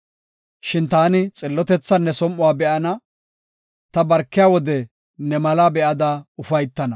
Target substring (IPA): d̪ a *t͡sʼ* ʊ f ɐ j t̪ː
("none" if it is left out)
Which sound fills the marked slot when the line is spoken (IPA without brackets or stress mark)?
none